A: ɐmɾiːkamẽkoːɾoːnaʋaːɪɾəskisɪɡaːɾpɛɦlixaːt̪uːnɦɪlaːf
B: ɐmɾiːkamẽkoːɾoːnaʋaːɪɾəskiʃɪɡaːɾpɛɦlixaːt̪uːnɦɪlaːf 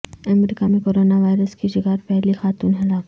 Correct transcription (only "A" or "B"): B